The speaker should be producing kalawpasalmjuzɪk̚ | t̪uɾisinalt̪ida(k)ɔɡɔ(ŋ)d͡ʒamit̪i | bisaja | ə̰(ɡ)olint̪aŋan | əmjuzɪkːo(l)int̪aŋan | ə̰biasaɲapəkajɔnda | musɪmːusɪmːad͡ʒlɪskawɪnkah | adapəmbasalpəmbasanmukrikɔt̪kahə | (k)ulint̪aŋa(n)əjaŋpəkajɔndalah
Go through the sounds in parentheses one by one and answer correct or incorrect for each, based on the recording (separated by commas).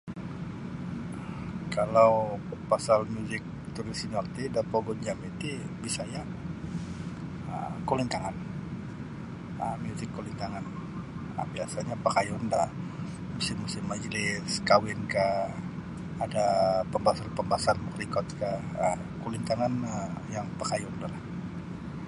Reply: incorrect, incorrect, incorrect, correct, correct, correct